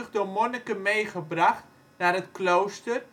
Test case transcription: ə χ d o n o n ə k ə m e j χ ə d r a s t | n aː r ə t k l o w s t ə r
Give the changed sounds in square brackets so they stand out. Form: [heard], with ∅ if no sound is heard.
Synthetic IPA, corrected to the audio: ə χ d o [m] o n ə k ə m e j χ ə [b] r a [χ] t | n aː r ə t k l o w s t ə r

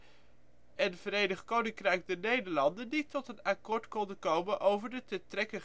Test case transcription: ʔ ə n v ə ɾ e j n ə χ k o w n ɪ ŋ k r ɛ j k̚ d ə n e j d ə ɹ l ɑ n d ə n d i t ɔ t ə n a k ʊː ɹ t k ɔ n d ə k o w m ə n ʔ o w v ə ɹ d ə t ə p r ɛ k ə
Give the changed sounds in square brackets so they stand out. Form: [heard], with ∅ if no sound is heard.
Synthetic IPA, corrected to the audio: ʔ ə n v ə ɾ e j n ə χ k o w n ɪ ŋ k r ɛ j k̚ d ə n e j d ə ɹ l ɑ n d ə n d i t ɔ t ə n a k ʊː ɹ t k ɔ n d ə k o w m ə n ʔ o w v ə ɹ d ə t ə [t] r ɛ k ə

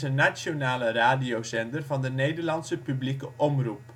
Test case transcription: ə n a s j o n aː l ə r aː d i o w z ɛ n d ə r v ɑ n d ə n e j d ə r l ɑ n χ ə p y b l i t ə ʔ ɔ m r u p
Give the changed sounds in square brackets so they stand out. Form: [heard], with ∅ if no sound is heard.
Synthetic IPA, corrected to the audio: ə n a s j o n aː l ə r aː d i o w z ɛ n d ə r v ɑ n d ə n e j d ə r l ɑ n [s] ə p y b l i [k] ə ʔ ɔ m r u p

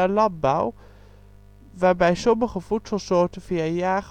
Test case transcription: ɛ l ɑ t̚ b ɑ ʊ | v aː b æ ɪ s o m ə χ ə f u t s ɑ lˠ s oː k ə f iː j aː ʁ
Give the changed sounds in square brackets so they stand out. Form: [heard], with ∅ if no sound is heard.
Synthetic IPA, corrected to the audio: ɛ l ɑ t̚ b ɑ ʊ | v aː b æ ɪ s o m ə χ ə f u t s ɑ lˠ s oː [t] ə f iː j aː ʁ

